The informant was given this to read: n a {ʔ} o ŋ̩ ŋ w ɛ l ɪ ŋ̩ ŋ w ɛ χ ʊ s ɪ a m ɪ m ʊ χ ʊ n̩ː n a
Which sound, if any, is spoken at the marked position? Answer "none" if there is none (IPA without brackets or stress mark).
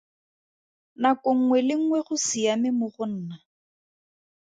k